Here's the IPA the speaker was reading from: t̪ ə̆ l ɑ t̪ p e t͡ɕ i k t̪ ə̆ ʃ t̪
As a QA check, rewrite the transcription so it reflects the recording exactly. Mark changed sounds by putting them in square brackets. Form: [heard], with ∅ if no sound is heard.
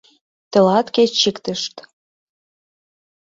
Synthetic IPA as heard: t̪ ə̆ l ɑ t̪ [k] e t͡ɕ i k t̪ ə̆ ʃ t̪